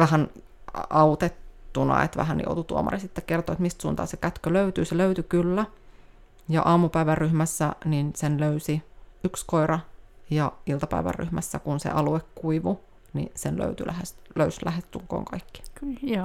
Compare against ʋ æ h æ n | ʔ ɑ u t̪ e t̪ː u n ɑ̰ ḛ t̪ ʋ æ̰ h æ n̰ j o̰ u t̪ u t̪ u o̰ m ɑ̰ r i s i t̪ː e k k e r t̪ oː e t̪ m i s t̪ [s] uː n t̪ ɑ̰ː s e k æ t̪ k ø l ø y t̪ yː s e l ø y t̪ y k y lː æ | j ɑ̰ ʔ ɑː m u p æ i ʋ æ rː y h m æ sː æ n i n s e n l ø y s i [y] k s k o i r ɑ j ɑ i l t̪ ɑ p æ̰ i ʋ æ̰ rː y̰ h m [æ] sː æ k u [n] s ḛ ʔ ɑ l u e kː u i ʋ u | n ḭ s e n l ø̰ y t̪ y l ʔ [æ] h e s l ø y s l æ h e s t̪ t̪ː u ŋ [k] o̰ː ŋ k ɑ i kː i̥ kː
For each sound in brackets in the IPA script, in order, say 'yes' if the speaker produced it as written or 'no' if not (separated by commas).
yes, yes, yes, yes, yes, yes